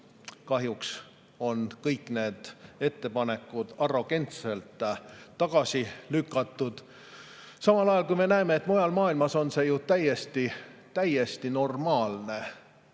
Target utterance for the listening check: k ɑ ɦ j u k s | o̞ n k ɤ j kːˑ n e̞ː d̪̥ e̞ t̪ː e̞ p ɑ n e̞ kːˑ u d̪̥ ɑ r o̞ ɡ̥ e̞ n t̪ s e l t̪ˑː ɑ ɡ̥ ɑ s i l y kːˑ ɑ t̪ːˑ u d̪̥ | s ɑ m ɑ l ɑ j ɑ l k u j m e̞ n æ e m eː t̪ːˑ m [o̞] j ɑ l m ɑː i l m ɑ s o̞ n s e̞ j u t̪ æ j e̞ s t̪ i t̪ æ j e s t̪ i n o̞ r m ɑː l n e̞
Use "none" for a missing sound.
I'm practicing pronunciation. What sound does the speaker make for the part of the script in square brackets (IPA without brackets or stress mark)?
o̞